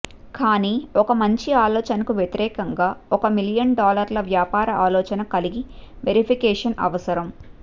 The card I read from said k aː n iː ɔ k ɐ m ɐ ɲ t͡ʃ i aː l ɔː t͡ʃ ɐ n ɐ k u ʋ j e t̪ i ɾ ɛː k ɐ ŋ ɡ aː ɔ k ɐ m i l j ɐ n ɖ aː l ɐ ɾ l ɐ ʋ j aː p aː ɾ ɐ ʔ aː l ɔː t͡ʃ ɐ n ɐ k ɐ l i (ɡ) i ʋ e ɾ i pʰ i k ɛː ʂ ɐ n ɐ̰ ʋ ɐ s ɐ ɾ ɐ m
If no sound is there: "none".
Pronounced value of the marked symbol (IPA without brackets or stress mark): ɡ